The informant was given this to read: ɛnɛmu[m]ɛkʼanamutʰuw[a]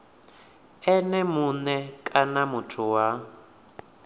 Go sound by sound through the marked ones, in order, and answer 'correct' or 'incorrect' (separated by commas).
incorrect, correct